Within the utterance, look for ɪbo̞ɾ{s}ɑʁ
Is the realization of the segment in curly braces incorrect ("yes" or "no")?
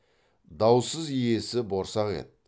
no